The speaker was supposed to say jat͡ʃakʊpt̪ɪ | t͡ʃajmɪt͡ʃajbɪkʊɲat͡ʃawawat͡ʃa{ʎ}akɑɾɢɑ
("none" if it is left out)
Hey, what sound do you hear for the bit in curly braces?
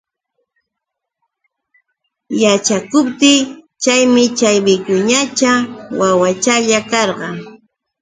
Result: ʎ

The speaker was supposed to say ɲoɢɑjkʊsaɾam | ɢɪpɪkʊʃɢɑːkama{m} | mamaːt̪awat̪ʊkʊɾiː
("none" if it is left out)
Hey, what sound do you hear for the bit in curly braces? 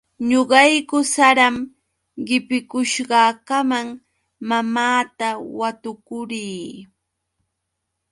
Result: ŋ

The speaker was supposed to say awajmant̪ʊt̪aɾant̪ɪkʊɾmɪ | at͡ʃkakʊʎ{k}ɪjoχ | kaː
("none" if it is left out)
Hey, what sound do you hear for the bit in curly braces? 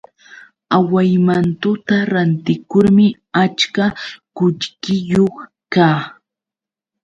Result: k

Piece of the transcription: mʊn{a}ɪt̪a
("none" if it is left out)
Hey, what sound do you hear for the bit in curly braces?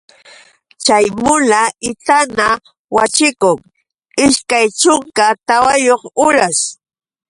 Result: a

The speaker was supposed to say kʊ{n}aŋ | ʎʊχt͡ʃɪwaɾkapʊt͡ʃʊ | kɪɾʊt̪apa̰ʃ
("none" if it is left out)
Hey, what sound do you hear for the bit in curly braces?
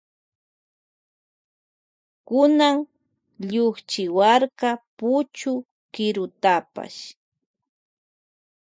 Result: n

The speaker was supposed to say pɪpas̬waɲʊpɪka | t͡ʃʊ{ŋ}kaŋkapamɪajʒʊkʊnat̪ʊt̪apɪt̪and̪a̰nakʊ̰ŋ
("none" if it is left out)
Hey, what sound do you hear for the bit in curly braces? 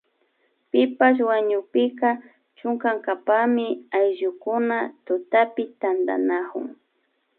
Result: ŋ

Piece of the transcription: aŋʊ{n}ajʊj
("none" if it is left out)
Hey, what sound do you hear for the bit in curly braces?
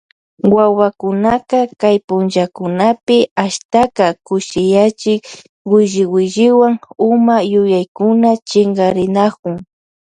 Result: m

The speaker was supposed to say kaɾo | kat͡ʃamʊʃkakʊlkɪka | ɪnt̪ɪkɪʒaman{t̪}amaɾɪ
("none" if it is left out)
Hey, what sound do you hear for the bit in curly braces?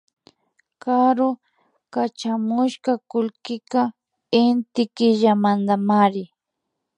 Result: d̪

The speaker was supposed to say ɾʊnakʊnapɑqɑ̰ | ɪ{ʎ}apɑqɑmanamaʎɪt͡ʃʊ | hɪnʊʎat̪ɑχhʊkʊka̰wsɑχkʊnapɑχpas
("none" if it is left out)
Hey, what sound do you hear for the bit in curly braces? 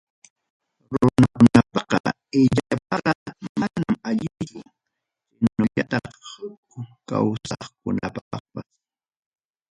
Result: ʎ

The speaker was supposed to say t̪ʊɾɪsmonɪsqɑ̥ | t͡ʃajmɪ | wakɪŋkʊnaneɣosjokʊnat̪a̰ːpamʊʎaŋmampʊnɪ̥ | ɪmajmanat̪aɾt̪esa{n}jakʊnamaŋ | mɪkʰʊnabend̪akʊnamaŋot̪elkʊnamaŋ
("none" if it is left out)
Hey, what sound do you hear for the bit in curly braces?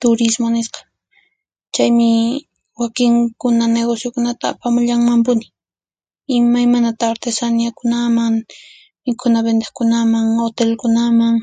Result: n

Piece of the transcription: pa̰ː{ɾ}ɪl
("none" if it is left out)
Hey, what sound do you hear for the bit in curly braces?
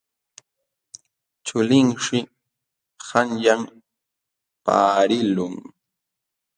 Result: ɾ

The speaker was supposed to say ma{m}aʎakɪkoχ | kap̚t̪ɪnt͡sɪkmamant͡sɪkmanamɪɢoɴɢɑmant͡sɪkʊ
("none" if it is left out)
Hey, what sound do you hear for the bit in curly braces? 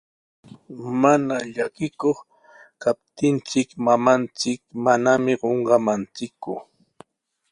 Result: n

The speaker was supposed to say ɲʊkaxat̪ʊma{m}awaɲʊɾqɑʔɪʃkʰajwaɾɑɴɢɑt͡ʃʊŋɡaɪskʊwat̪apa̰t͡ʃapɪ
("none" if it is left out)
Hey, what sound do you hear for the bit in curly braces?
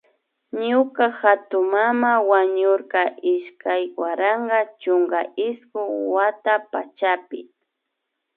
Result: m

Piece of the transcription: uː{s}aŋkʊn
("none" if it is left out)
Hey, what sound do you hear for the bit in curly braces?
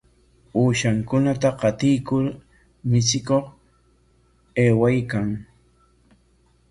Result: ʃ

